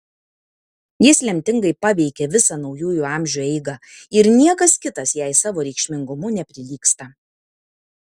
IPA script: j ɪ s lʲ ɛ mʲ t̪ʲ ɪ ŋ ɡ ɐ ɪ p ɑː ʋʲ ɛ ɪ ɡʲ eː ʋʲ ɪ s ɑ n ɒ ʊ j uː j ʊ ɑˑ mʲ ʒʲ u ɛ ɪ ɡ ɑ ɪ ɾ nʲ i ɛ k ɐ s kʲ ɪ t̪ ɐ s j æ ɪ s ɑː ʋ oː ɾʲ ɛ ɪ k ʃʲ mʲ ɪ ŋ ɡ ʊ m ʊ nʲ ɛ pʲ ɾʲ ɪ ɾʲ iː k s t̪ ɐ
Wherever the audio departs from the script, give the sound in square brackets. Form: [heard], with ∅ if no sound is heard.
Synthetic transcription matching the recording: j ɪ s lʲ ɛ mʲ t̪ʲ ɪ ŋ ɡ ɐ ɪ p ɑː ʋʲ ɛ ɪ [kʲ] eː ʋʲ ɪ s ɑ n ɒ ʊ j uː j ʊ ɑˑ mʲ ʒʲ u ɛ ɪ ɡ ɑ ɪ ɾ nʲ i ɛ k ɐ s kʲ ɪ t̪ ɐ s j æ ɪ s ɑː ʋ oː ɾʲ ɛ ɪ k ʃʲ mʲ ɪ ŋ ɡ ʊ m ʊ nʲ ɛ pʲ ɾʲ ɪ [lʲ] iː k s t̪ ɐ